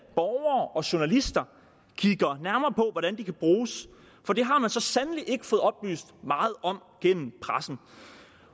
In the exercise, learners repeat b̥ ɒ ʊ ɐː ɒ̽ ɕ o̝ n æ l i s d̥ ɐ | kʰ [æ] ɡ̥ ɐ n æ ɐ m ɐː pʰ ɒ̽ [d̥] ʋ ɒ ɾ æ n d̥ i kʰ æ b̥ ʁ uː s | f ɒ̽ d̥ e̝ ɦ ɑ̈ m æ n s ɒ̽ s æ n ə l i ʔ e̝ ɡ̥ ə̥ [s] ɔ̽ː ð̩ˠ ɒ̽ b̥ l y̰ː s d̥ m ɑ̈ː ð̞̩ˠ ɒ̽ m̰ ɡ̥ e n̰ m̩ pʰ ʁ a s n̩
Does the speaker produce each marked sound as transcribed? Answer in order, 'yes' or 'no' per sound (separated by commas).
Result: no, no, no